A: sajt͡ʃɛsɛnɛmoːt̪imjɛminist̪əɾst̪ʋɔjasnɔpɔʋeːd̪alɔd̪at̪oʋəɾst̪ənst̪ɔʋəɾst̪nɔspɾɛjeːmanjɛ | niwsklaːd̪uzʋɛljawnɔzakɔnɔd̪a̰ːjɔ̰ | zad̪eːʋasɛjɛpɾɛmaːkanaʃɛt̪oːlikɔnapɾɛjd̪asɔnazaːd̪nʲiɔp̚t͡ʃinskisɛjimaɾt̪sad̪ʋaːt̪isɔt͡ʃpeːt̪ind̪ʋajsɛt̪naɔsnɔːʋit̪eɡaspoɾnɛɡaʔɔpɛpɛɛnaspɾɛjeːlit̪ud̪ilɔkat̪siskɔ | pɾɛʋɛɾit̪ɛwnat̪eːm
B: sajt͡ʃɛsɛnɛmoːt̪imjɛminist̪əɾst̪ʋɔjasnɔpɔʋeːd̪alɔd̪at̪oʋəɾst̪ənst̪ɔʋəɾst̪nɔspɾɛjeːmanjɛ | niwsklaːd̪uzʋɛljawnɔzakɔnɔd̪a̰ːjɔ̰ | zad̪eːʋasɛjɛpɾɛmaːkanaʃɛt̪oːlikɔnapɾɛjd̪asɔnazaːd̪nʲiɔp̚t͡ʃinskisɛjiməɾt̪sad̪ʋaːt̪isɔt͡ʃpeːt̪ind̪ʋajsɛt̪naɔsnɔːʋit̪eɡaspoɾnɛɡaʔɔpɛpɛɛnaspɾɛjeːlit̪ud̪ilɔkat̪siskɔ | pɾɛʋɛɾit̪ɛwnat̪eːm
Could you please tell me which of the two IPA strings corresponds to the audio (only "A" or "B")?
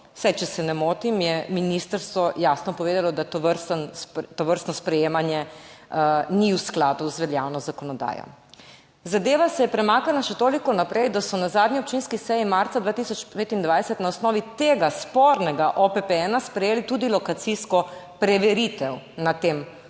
A